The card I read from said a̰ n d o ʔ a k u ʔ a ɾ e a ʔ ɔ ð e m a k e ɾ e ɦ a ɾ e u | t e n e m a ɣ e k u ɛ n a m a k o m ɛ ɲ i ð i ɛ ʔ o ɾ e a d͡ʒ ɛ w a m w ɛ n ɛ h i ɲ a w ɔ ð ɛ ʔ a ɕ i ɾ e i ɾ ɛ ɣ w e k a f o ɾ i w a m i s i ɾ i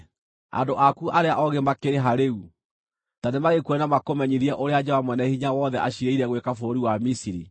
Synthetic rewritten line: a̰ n d o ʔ a k u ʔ a ɾ e a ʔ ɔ ɣ e m a k e ɾ e ɦ a ɾ e u | t a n e m a ɣ e k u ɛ n a m a k o m ɛ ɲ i ð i ɛ ʔ o ɾ e a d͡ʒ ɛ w a m w ɛ n ɛ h i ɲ a w ɔ ð ɛ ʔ a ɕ i ɾ e i ɾ ɛ ɣ w e k a f o ɾ i w a m i s i ɾ i